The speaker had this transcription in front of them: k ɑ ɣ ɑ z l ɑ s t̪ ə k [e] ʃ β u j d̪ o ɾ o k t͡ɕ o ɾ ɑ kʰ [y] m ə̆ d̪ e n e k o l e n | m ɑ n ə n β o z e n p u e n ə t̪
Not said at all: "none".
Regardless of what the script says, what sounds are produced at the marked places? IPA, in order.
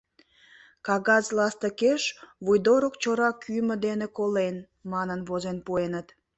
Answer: e, y

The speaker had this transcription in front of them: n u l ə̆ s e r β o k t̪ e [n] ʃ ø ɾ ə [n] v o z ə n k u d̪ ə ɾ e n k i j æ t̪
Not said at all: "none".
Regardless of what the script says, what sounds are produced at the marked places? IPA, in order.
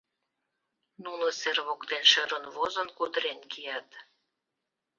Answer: n, n

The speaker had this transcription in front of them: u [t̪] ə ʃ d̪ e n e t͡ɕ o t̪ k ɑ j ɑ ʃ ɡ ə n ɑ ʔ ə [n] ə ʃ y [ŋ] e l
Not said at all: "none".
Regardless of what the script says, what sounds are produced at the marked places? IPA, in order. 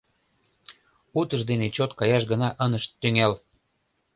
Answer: t̪, n, ŋ

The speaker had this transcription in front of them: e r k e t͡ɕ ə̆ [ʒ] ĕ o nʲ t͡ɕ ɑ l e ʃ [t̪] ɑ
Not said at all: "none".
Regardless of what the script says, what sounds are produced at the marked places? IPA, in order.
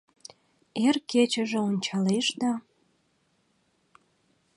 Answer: ʒ, d̪

